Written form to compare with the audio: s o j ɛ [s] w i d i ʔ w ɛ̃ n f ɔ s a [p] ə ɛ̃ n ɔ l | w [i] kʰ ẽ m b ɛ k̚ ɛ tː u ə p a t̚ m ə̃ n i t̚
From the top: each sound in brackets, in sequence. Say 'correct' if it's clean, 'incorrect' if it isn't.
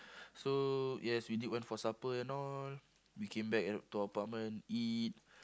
correct, correct, correct

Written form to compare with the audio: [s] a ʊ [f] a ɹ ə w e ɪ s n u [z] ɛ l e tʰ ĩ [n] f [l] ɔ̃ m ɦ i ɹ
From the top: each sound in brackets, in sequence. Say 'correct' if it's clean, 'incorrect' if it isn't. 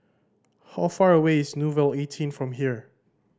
incorrect: h, correct, incorrect: v, correct, incorrect: ɹ

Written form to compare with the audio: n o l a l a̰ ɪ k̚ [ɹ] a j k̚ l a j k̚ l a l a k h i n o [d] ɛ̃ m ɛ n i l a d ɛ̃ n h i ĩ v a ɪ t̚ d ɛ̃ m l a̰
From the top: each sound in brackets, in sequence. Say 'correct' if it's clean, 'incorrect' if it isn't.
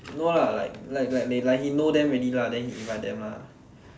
incorrect: l, correct

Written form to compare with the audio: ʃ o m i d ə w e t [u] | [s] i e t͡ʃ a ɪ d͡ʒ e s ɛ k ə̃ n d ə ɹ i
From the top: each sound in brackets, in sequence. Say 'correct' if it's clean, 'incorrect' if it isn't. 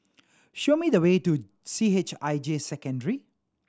correct, correct

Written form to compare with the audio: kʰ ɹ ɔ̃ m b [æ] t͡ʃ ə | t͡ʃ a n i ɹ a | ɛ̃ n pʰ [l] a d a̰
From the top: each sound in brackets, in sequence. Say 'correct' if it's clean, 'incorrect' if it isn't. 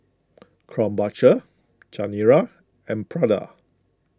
incorrect: a, incorrect: ɹ

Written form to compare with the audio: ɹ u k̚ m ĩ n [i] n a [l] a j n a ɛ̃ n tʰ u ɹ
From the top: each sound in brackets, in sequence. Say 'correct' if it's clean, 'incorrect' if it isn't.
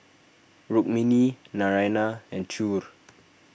correct, incorrect: ɹ

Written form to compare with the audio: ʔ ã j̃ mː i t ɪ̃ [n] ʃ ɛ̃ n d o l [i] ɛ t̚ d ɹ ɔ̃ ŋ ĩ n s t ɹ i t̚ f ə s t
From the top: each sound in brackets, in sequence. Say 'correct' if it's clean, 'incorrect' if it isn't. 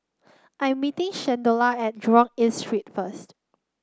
incorrect: ŋ, incorrect: a

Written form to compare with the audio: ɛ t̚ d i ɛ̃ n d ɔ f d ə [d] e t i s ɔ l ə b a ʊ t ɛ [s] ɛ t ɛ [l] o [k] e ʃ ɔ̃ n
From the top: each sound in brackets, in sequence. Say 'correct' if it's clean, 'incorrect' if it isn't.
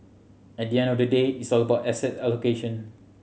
correct, correct, correct, correct

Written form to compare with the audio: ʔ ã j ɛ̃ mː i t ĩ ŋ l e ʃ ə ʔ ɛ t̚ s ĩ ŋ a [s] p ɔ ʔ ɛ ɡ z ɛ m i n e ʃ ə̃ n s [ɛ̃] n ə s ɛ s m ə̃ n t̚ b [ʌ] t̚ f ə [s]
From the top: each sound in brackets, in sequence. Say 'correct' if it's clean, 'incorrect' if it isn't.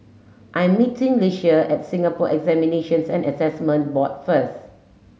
incorrect: none, correct, incorrect: ɔ, correct

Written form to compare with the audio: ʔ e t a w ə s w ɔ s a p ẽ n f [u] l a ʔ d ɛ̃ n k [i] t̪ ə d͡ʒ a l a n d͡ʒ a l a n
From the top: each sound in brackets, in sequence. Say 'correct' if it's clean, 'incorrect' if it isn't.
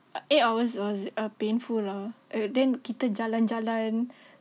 correct, correct

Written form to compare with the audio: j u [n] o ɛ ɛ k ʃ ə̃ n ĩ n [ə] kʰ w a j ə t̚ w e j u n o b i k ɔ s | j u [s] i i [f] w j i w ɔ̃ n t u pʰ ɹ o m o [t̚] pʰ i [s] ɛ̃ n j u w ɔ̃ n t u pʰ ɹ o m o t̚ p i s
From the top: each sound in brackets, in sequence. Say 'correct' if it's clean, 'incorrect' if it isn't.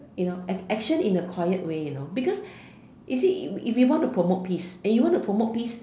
correct, correct, correct, correct, correct, correct

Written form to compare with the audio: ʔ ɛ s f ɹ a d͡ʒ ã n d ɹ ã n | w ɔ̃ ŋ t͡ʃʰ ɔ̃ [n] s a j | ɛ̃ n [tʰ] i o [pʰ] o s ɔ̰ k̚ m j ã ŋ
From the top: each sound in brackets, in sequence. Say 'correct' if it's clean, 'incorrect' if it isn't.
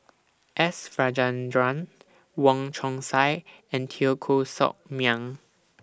incorrect: ŋ, correct, incorrect: kʰ

